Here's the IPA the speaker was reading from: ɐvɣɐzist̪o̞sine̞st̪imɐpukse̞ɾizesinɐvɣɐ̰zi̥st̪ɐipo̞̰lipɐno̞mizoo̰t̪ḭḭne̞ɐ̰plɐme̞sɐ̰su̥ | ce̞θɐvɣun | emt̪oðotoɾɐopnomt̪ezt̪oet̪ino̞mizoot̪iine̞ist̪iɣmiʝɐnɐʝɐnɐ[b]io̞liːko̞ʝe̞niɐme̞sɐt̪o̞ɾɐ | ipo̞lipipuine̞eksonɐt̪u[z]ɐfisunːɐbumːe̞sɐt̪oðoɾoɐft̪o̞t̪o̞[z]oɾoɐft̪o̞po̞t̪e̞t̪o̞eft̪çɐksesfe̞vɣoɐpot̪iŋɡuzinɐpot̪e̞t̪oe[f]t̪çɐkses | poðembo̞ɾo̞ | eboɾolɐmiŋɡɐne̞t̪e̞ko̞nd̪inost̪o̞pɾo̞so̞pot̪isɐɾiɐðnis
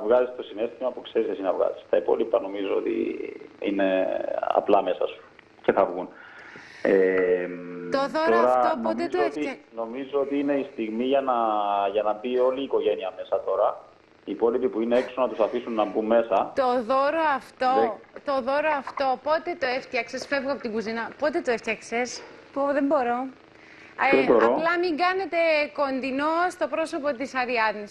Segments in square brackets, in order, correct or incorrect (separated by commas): correct, incorrect, incorrect, correct